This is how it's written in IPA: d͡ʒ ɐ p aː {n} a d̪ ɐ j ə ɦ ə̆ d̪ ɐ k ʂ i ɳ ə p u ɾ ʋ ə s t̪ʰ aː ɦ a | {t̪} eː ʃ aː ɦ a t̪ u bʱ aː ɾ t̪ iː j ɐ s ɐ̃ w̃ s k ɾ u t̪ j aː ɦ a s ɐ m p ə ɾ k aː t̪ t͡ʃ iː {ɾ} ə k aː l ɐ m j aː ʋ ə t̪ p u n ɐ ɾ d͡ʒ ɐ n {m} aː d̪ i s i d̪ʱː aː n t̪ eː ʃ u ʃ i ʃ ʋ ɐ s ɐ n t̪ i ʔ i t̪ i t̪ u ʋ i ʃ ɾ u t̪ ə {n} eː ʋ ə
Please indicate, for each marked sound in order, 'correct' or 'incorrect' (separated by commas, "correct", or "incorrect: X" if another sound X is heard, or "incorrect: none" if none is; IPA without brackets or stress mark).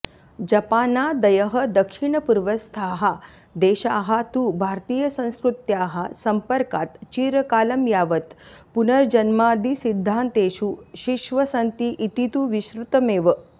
correct, incorrect: d̪, correct, correct, incorrect: m